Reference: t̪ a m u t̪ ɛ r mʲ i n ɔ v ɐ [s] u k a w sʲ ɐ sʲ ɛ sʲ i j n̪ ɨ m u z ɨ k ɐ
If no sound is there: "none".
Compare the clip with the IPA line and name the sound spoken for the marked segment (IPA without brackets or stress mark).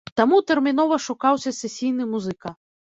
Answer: ʂ